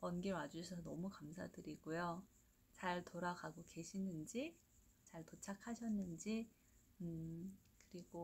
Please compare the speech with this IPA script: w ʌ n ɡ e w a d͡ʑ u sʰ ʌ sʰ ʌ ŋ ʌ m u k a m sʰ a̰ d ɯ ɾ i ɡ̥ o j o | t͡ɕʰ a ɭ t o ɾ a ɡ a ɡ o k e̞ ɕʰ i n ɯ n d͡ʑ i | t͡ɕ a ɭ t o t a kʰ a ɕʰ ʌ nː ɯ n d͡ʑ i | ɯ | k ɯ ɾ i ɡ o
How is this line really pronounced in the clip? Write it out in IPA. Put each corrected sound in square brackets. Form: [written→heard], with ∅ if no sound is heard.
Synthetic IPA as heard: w ʌ n ɡ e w a d͡ʑ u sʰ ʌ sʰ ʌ [ŋ→n] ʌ m u k a m sʰ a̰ d ɯ ɾ i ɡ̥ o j o | [t͡ɕʰ→t͡ɕ] a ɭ t o ɾ a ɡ a ɡ o k e̞ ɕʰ i n ɯ n d͡ʑ i | t͡ɕ a ɭ t o [t→t͡ɕʰ] a kʰ a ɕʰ ʌ nː ɯ n d͡ʑ i | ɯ | k ɯ ɾ i ɡ o